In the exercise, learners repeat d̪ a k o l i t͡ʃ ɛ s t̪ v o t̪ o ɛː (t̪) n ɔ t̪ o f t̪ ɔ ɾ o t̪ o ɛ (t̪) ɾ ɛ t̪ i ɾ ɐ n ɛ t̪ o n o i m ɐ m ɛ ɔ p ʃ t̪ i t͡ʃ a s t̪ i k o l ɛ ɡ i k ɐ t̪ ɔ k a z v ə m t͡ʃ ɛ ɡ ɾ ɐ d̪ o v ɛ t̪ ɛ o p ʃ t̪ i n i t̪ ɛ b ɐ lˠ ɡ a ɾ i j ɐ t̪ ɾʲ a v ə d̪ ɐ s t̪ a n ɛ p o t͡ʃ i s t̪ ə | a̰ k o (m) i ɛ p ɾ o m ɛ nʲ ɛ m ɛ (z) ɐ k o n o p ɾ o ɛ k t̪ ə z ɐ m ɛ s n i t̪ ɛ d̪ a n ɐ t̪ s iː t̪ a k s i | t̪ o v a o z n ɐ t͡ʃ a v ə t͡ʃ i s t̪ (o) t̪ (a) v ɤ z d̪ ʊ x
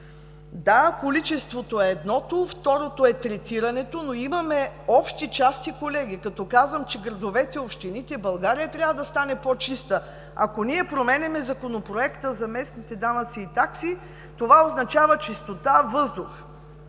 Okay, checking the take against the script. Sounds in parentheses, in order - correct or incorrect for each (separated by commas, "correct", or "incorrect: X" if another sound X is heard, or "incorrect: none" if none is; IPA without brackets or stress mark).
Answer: incorrect: d̪, correct, incorrect: n, correct, correct, correct